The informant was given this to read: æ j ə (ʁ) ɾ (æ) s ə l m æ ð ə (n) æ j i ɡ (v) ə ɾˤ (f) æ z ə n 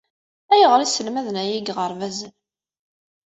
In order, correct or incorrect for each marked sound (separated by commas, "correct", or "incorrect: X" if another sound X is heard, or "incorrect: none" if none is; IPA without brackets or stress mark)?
correct, incorrect: i, correct, incorrect: ʁ, incorrect: v